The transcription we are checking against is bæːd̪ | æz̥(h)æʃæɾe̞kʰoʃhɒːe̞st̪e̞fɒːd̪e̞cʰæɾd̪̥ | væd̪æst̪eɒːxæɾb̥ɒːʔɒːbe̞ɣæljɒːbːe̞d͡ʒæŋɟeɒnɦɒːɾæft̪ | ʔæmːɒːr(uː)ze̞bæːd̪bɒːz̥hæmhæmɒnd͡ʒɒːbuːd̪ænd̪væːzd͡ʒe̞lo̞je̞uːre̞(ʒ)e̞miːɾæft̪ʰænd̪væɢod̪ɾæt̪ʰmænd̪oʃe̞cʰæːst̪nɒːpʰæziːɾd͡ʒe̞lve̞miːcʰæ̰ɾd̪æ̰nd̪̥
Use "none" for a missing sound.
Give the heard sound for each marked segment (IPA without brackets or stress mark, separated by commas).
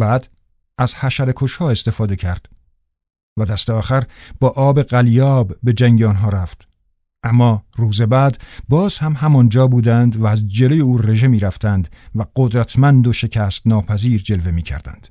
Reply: h, uː, ʒ